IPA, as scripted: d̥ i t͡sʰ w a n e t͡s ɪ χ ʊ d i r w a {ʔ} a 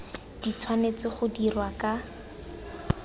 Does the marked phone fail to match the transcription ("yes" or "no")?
yes